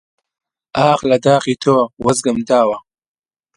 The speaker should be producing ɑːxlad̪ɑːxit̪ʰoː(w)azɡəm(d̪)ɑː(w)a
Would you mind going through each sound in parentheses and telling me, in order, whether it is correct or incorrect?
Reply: correct, correct, correct

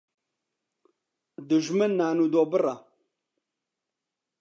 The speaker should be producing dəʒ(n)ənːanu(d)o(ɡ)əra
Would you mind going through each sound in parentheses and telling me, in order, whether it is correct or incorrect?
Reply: incorrect: m, correct, incorrect: b

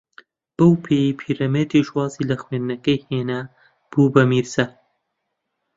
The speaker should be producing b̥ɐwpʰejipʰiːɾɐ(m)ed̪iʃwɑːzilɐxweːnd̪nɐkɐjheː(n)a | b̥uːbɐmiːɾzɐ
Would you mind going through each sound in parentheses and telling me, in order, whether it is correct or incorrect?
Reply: correct, correct

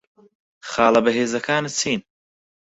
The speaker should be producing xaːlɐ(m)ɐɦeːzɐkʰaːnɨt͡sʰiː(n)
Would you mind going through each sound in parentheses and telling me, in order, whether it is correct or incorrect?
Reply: incorrect: b, correct

